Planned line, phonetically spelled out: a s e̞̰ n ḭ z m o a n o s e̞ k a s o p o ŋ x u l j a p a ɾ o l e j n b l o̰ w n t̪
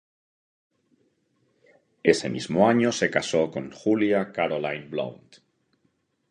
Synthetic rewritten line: e s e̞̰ m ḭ z m o a ɲ o s e̞ k a s o k o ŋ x u l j a k a ɾ o l a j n b l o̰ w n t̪